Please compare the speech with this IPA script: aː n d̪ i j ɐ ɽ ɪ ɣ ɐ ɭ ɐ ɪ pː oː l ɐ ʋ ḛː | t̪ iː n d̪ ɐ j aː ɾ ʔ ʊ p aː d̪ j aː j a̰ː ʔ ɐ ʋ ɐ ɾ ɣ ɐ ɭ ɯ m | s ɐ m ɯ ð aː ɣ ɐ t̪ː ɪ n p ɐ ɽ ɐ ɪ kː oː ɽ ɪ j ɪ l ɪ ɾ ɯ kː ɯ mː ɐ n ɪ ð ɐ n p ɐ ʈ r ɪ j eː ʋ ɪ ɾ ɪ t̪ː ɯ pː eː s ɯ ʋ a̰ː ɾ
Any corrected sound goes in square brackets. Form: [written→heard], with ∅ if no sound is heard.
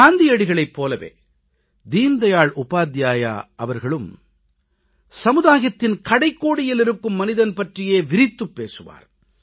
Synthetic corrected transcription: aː n d̪ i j ɐ ɽ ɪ ɣ ɐ ɭ ɐ ɪ pː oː l ɐ ʋ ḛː | [t̪→d̪] iː n d̪ ɐ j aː [ɾ→ɭ] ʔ ʊ p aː d̪ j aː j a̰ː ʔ ɐ ʋ ɐ ɾ ɣ ɐ ɭ ɯ m | s ɐ m ɯ ð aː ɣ ɐ t̪ː ɪ n [p→k] ɐ ɽ ɐ ɪ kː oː ɽ ɪ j ɪ l ɪ ɾ ɯ kː ɯ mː ɐ n ɪ ð ɐ n p ɐ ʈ r ɪ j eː ʋ ɪ ɾ ɪ t̪ː ɯ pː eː s ɯ ʋ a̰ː ɾ

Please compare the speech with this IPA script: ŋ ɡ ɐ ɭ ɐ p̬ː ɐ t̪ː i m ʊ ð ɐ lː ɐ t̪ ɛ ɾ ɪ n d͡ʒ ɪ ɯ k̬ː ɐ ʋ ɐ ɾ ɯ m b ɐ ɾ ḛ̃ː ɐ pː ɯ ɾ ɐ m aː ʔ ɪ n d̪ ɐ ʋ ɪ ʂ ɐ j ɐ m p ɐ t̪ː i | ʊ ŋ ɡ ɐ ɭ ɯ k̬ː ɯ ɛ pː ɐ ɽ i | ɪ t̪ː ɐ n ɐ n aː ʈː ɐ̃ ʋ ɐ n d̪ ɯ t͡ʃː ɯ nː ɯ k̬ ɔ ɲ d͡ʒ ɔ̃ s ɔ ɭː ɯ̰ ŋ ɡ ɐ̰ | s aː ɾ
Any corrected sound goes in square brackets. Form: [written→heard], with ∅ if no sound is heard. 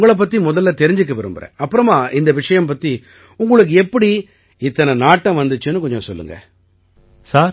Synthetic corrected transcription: ŋ ɡ ɐ ɭ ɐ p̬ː ɐ t̪ː i m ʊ ð ɐ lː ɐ t̪ ɛ ɾ ɪ [n→ɲ] d͡ʒ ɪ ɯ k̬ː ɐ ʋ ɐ ɾ ɯ m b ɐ ɾ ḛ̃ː ɐ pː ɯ ɾ ɐ m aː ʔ ɪ n d̪ ɐ ʋ ɪ ʂ ɐ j ɐ m p ɐ t̪ː i | ʊ ŋ ɡ ɐ ɭ ɯ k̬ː ɯ ɛ pː ɐ ɽ i | ɪ t̪ː ɐ n ɐ n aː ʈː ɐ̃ ʋ ɐ n d̪ ɯ t͡ʃː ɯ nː ɯ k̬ ɔ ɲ d͡ʒ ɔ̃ s ɔ [ɭː→lː] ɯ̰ ŋ ɡ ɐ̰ | s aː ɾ

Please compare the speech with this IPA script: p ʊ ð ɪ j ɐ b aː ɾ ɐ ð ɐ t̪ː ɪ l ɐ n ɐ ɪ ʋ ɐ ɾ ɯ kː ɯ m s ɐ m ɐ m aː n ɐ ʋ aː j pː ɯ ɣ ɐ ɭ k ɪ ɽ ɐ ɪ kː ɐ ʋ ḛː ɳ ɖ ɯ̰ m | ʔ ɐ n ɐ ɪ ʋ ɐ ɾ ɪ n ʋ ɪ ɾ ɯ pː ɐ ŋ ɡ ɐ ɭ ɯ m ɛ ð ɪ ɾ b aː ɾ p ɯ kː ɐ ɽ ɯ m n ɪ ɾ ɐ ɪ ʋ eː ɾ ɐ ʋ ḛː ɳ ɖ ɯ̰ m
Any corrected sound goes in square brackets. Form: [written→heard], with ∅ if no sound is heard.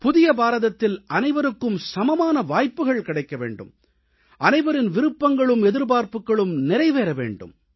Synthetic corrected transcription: p ʊ ð ɪ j ɐ b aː ɾ ɐ ð ɐ t̪ː ɪ l ɐ n ɐ ɪ ʋ ɐ ɾ ɯ kː ɯ m s ɐ m ɐ m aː n ɐ ʋ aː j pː ɯ ɣ ɐ ɭ k ɪ ɽ ɐ ɪ kː ɐ ʋ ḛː ɳ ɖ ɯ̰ m | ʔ ɐ n ɐ ɪ ʋ ɐ ɾ ɪ n ʋ ɪ ɾ ɯ pː ɐ ŋ ɡ ɐ ɭ ɯ m ɛ ð ɪ ɾ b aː ɾ p ɯ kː ɐ [ɽ→ɭ] ɯ m n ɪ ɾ ɐ ɪ ʋ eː ɾ ɐ ʋ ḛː ɳ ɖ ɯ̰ m

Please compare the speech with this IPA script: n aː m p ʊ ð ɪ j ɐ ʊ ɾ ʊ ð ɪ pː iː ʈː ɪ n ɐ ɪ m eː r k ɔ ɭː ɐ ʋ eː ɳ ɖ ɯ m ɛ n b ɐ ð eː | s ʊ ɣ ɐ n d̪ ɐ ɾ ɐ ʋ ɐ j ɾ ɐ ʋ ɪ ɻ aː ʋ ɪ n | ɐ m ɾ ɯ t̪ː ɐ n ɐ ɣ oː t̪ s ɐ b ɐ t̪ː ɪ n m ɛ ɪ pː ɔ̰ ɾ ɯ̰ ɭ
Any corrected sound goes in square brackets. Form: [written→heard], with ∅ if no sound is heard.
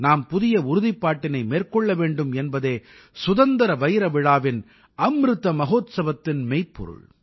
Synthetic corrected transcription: n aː m p ʊ ð ɪ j ɐ ʊ ɾ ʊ ð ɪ pː [iː→aː] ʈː ɪ n ɐ ɪ m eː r k ɔ ɭː ɐ ʋ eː ɳ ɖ ɯ m ɛ n b ɐ ð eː | s ʊ [ɣ→ð] ɐ n d̪ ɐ ɾ ɐ ʋ ɐ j ɾ ɐ ʋ ɪ ɻ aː ʋ ɪ n | ɐ m ɾ ɯ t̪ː ɐ [n→m] ɐ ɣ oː t̪ s ɐ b ɐ t̪ː ɪ n m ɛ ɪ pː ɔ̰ ɾ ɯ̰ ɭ

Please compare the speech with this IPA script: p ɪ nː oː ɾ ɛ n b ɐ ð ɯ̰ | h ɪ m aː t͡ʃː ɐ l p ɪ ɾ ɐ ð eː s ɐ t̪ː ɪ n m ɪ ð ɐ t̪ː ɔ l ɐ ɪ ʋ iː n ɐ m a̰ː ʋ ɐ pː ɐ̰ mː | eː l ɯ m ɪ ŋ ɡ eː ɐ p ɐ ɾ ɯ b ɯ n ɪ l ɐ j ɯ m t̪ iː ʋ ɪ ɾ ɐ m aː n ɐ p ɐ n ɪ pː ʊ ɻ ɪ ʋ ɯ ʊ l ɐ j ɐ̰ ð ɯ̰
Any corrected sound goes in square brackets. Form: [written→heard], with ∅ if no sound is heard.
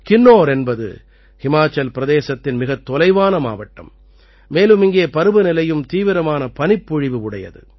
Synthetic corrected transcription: [p→k] ɪ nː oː ɾ ɛ n b ɐ ð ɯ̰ | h ɪ m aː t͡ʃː ɐ l p ɪ ɾ ɐ ð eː s ɐ t̪ː ɪ n m ɪ [ð→ɣ] ɐ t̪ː ɔ l ɐ ɪ ʋ [iː→aː] n ɐ m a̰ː ʋ ɐ [pː→ʈː] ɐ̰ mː | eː l ɯ m ɪ ŋ ɡ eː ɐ p ɐ ɾ ɯ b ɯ n ɪ l ɐ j ɯ m t̪ iː ʋ ɪ ɾ ɐ m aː n ɐ p ɐ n ɪ pː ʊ ɻ ɪ ʋ ɯ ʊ [l→ɽ] ɐ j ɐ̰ ð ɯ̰

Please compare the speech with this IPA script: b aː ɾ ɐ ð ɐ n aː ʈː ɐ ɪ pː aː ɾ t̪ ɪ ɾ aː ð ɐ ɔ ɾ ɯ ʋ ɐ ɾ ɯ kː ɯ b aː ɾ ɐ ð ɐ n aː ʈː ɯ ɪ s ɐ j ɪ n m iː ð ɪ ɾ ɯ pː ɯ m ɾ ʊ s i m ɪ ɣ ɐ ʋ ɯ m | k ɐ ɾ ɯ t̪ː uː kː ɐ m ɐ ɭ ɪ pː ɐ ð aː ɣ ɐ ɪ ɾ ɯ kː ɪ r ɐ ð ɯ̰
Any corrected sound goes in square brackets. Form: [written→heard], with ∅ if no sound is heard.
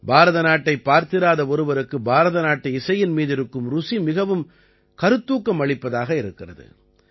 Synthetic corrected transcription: b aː ɾ ɐ ð ɐ n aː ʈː ɐ ɪ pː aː ɾ t̪ ɪ ɾ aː ð ɐ ɔ ɾ ɯ ʋ ɐ ɾ ɯ kː ɯ b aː ɾ ɐ ð ɐ n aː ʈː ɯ ɪ s ɐ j ɪ n m iː ð ɪ ɾ ɯ [pː→kː] ɯ m ɾ ʊ s i m ɪ ɣ ɐ ʋ ɯ m | k ɐ ɾ ɯ t̪ː uː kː ɐ m ɐ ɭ ɪ pː ɐ ð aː ɣ ɐ ɪ ɾ ɯ kː ɪ r ɐ ð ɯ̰

